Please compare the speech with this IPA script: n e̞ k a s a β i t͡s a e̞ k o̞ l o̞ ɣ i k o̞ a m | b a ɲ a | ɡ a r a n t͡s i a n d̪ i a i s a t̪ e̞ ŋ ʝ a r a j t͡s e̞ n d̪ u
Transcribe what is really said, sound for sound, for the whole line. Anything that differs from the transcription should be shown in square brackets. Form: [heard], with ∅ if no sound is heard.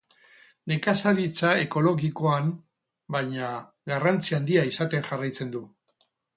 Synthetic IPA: n e̞ k a s a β i t͡s a e̞ k o̞ l o̞ ɣ i k o̞ a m | b a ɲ a | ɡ a r a n t͡s i a n d̪ i a i s a t̪ e̞ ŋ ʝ a r a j t͡s e̞ n d̪ u